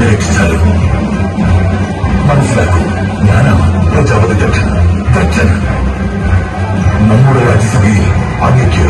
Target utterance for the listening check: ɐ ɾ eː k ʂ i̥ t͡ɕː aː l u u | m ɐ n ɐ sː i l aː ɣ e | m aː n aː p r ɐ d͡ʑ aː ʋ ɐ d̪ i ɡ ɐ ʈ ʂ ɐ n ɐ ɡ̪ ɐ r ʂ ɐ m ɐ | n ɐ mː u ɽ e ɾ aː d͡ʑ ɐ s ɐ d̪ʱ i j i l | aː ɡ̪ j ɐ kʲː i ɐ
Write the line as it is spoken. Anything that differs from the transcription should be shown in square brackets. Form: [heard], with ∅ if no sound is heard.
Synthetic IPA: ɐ ɾ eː k ʂ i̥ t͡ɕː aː l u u | m ɐ n ɐ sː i l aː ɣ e | [ɲ] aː n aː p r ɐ d͡ʑ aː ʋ ɐ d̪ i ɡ ɐ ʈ ʂ ɐ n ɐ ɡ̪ ɐ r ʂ ɐ [n] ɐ | n ɐ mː u ɽ e ɾ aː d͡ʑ ɐ s ɐ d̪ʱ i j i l | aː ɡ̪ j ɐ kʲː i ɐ